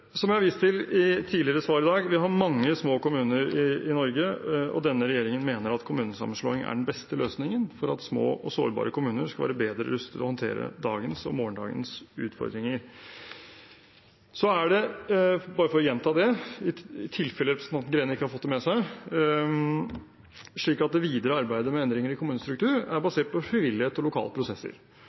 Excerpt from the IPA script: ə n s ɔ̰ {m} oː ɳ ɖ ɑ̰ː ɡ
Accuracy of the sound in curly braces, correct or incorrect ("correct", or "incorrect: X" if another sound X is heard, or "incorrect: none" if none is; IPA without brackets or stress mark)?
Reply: correct